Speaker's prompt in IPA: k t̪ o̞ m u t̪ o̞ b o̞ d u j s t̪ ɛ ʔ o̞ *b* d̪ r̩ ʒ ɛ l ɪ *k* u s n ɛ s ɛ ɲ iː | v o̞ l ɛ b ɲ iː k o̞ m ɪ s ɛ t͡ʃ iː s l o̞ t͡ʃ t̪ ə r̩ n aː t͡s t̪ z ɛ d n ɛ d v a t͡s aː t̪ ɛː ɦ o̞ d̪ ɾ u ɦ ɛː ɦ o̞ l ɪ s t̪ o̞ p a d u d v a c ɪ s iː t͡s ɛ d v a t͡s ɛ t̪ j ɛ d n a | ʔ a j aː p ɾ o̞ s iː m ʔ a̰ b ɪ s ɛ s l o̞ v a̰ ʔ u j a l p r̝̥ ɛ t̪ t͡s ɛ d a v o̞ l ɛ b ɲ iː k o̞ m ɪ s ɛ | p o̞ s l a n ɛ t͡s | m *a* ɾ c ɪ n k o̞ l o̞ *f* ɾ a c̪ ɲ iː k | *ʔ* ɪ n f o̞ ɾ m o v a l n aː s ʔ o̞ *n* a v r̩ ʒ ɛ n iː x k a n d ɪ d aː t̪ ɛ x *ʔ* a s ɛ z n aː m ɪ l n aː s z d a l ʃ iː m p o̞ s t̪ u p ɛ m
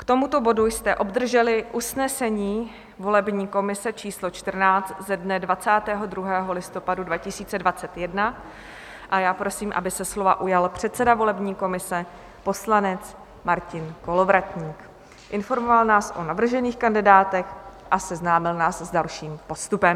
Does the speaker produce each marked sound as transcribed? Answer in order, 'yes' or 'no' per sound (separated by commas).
yes, no, yes, no, yes, yes, yes